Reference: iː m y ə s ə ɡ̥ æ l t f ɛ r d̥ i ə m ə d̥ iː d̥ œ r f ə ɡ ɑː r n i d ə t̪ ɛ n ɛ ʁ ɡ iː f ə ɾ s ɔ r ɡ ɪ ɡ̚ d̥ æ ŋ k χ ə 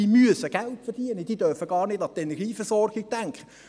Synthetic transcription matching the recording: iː m y ə s ə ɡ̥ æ l t f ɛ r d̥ i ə n ə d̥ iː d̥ œ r f ə ɡ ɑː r n ɪ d ɑ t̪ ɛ n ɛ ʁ ɡ iː f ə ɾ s ɔ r ɡ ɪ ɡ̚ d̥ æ ŋ k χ ə